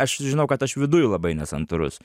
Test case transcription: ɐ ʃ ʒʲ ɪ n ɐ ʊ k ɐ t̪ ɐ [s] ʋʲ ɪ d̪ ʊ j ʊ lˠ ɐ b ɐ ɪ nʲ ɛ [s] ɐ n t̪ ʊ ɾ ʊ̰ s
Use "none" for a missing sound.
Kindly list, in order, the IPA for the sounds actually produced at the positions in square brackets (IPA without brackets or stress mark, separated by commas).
ʃ, s